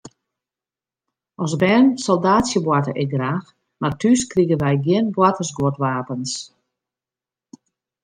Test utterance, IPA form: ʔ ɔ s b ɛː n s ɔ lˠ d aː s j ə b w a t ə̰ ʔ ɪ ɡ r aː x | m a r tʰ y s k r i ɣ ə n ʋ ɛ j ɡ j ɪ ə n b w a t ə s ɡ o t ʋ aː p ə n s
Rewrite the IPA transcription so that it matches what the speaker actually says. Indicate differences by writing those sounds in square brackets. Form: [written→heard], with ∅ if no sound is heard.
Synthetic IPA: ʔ ɔ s b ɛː n s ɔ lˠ d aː s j ə b w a t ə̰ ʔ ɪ ɡ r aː x | m a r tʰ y s k r i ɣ ə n ʋ ɛ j ɡ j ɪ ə n b w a t ə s ɡ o t ʋ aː p ə n s